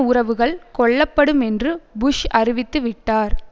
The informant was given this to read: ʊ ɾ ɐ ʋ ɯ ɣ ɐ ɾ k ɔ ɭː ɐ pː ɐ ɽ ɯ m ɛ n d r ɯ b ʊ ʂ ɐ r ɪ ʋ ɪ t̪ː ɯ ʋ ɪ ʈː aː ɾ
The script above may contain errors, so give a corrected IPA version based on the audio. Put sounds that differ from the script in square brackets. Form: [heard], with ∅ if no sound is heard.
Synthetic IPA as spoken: ʊ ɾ ɐ ʋ ɯ ɣ ɐ [ɭ] k ɔ ɭː ɐ pː ɐ ɽ ɯ m ɛ n d r ɯ b ʊ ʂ ɐ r ɪ ʋ ɪ t̪ː ɯ ʋ ɪ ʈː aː ɾ